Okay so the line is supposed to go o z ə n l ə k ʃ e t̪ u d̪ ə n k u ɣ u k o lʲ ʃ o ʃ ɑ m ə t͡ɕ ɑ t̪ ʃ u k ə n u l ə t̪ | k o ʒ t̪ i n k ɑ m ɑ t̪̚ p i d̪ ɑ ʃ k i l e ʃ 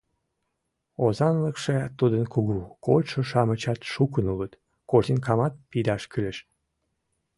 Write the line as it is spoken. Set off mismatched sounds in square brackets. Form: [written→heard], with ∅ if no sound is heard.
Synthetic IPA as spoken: o z [ə→ɑ] n l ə k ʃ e t̪ u d̪ ə n k u ɣ u k o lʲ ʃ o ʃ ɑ m ə t͡ɕ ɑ t̪ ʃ u k ə n u l ə t̪ | k o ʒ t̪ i n k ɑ m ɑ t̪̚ p i d̪ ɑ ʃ k [i→y] l e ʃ